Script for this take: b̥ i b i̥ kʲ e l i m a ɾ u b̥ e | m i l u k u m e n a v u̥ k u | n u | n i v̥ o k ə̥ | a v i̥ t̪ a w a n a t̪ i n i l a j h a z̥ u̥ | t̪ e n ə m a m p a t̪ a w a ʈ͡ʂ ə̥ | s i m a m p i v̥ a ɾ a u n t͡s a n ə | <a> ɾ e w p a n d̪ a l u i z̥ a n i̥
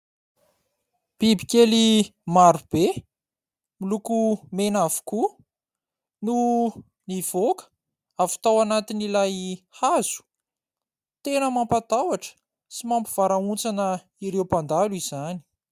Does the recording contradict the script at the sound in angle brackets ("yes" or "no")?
yes